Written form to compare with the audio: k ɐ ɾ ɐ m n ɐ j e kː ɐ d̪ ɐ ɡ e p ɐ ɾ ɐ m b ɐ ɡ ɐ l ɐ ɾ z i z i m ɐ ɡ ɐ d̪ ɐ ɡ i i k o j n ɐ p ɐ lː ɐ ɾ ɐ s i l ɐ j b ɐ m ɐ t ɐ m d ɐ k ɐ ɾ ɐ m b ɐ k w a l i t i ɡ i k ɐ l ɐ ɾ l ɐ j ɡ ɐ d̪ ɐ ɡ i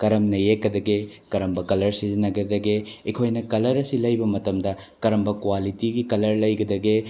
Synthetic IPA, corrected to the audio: k ɐ ɾ ɐ m n ɐ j e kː ɐ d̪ ɐ ɡ e k ɐ ɾ ɐ m b ɐ k ɐ l ɐ ɾ s i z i n ɐ ɡ ɐ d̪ ɐ ɡ e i kʰ o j n ɐ k ɐ l ɐ ɾ ɐ s i l ɐ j b ɐ m ɐ t ɐ m d ɐ k ɐ ɾ ɐ m b ɐ k w a l i t i ɡ i k ɐ l ɐ ɾ l ɐ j ɡ ɐ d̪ ɐ ɡ e